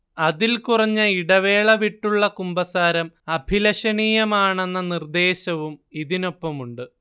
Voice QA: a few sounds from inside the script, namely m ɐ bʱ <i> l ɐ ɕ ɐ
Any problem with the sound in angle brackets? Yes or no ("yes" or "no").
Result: no